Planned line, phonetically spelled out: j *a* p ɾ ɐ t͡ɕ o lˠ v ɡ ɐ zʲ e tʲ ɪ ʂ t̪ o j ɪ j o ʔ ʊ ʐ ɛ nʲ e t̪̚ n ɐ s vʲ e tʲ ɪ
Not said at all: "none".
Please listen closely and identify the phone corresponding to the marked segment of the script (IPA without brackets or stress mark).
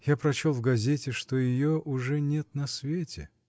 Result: a